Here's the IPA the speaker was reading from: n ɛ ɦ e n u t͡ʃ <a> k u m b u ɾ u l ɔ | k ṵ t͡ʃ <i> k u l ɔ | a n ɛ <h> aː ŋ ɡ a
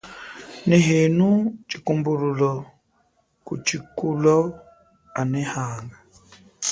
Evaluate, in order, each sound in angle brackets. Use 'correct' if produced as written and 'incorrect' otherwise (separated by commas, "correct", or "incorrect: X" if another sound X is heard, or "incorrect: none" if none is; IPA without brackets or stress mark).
incorrect: i, correct, correct